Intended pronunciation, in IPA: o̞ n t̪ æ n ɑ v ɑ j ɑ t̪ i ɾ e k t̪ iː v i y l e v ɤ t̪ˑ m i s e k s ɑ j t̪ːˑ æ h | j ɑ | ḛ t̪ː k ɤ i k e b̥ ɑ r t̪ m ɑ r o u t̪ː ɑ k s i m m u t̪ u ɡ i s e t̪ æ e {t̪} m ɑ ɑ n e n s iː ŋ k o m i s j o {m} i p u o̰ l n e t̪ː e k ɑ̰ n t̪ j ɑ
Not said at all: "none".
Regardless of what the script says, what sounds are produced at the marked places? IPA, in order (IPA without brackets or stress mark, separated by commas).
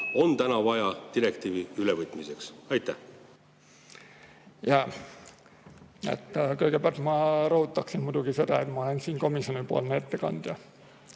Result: t̪, n